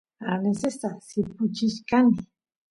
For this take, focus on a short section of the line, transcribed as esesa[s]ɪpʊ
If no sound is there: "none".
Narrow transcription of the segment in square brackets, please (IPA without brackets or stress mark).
s